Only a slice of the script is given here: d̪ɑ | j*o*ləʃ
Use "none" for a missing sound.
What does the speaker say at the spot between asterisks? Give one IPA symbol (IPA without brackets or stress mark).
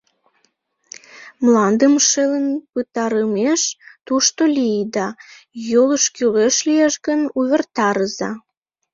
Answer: o